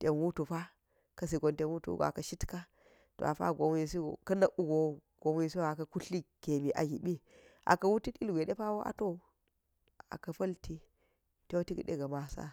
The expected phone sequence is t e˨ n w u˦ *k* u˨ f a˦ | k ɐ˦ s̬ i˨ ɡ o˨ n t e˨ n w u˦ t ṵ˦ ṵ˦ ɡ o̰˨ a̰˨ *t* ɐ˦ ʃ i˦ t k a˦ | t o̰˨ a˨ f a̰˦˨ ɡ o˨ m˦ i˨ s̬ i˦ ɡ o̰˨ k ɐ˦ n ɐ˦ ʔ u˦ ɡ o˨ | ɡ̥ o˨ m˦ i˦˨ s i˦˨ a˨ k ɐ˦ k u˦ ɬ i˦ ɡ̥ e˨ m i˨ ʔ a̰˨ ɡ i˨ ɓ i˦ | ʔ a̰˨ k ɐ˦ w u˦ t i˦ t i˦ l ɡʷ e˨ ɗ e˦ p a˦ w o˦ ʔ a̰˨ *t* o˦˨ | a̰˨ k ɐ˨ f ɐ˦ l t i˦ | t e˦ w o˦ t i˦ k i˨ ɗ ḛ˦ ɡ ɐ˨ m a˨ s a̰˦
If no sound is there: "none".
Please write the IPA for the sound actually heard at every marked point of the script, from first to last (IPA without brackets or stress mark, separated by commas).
t, k, t